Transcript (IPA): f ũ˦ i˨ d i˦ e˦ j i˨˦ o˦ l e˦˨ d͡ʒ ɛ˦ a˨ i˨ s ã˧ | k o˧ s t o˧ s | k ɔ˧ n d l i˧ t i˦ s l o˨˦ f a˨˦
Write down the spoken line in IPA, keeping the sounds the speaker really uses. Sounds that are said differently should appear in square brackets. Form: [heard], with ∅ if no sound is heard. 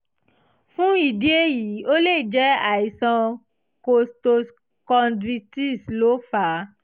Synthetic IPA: f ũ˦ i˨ d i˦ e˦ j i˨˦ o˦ l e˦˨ d͡ʒ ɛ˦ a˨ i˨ s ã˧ | k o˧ s t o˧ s | k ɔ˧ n d [ɾ] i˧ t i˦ s l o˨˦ f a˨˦